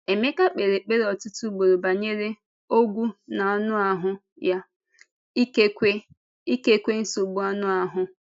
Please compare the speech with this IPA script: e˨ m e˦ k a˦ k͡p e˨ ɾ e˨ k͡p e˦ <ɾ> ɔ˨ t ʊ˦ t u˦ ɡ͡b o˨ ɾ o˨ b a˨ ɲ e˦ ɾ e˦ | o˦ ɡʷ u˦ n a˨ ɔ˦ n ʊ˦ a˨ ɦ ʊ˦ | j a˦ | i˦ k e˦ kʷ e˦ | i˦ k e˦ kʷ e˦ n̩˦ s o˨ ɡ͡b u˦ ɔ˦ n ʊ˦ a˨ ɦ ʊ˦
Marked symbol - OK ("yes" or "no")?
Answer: yes